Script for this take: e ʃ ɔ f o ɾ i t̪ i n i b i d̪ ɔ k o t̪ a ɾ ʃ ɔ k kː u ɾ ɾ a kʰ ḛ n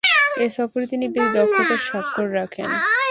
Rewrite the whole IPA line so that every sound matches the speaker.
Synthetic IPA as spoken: e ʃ ɔ f o ɾ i t̪ i n i b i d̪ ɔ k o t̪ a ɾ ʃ ɔ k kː o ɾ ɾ a kʰ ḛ n